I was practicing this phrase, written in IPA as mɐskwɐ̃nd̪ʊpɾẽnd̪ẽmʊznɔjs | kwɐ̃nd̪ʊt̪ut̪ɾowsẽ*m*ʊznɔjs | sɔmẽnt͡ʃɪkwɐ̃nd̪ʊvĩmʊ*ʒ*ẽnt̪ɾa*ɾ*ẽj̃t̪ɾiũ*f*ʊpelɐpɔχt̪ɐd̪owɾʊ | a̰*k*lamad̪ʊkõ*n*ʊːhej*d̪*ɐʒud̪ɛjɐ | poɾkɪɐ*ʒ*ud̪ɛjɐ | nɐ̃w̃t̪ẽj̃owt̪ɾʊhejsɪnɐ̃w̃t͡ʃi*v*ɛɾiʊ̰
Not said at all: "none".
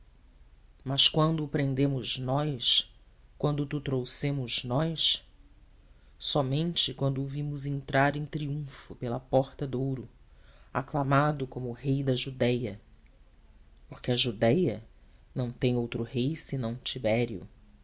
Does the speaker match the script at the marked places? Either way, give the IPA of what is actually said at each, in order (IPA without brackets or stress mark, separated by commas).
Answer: m, z, ɾ, f, k, m, d̪, ʒ, b